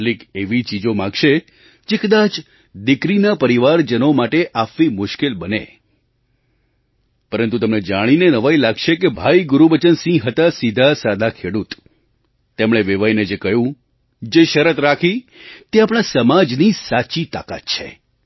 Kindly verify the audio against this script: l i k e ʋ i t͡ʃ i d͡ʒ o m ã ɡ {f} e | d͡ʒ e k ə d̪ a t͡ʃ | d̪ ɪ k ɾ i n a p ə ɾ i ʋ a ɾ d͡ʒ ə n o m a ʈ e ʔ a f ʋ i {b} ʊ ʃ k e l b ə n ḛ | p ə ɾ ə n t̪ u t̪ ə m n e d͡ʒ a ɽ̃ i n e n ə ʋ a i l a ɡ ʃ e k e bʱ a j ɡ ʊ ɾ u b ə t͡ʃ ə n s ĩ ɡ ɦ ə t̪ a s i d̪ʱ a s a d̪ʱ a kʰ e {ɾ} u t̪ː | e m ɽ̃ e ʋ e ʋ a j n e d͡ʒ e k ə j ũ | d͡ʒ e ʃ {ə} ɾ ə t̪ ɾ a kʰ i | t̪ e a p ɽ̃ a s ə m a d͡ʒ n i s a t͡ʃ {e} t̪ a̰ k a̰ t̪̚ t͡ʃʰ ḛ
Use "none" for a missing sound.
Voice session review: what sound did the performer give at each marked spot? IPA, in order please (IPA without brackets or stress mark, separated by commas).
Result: ʃ, m, ɽ, ə, i